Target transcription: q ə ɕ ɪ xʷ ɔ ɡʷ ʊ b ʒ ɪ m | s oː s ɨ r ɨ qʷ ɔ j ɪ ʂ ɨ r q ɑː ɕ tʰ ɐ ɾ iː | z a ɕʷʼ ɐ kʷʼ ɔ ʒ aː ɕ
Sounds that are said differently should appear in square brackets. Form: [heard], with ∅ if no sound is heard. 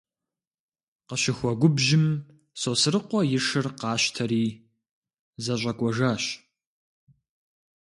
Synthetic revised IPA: q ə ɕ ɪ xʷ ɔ ɡʷ ʊ b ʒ ɪ m | s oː s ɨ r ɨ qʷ ɔ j ɪ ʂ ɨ r q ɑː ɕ tʰ ɐ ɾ iː | z [ɐ] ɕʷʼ ɐ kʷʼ ɔ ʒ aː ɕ